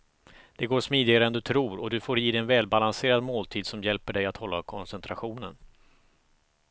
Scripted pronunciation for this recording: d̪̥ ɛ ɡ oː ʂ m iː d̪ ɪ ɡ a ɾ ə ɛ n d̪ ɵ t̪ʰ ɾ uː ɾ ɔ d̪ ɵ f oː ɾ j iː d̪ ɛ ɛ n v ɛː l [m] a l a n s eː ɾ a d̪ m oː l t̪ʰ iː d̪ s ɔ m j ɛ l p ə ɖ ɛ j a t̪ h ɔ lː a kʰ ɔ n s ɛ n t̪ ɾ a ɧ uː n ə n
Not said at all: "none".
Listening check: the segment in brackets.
b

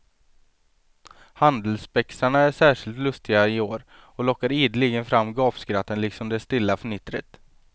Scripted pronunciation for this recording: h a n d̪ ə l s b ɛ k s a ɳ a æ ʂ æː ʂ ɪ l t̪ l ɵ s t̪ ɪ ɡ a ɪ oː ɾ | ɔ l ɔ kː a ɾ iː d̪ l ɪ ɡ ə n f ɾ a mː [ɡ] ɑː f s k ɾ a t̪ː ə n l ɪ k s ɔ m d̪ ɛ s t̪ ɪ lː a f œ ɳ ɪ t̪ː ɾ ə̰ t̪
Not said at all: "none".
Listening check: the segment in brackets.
ɡ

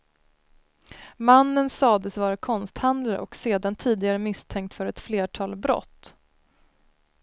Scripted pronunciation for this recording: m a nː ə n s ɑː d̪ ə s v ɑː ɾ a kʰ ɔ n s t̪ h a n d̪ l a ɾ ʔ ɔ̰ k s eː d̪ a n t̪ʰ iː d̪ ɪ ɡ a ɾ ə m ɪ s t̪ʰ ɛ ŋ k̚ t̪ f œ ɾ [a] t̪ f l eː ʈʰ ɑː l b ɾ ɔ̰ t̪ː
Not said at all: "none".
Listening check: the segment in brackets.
ɛ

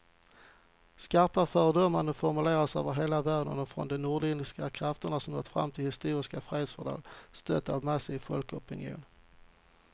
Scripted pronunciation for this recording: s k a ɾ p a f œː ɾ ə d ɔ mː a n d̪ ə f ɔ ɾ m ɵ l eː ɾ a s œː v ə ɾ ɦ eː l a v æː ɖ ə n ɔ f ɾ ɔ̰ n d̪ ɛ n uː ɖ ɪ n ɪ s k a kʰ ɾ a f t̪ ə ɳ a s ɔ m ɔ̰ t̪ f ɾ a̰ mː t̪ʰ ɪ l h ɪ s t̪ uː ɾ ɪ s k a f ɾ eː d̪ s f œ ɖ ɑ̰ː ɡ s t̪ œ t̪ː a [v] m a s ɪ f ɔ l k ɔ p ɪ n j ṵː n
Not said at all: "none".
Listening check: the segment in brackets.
v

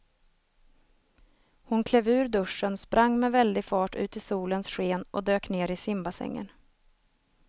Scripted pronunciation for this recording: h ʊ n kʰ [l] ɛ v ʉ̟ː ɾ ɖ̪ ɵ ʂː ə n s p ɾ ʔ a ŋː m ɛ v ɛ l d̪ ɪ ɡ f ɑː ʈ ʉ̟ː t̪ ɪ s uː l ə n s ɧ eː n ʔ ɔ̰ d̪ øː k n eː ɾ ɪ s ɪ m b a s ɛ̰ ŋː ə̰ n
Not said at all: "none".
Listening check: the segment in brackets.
l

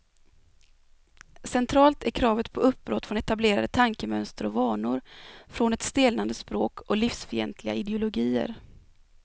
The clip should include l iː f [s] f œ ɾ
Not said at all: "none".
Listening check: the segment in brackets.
s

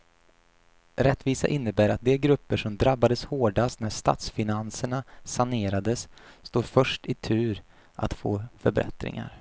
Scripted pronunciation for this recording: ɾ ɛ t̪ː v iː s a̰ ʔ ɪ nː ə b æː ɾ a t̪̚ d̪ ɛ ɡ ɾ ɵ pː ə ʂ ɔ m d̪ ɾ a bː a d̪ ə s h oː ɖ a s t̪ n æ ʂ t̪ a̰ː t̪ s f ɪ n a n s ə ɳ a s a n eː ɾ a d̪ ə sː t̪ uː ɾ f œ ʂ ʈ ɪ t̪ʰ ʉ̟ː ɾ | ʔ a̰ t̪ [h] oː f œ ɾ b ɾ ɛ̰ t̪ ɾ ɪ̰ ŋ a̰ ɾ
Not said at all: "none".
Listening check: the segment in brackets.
f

